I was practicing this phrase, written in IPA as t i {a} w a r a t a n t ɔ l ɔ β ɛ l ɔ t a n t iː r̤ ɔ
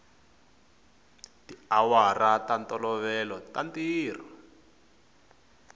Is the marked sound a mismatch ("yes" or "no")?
no